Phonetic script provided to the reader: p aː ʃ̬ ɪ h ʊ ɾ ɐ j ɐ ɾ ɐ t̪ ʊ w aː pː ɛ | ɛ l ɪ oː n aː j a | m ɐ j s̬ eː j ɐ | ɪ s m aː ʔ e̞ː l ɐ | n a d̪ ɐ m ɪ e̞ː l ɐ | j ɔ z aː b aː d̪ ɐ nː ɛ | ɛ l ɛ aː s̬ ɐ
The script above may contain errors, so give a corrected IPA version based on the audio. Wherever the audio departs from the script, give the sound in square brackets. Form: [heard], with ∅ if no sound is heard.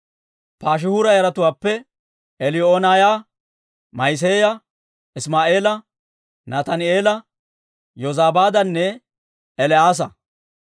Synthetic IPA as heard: p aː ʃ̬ ɪ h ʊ ɾ ɐ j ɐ ɾ ɐ t̪ ʊ w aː pː ɛ | ɛ l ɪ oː n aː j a | m ɐ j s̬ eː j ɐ | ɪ s m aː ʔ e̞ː l ɐ | n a [t̪] ɐ [n] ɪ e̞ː l ɐ | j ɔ z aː b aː d̪ ɐ nː ɛ | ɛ l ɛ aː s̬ ɐ